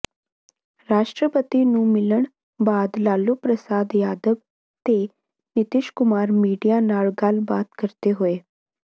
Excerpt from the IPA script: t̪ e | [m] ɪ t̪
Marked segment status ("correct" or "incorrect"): incorrect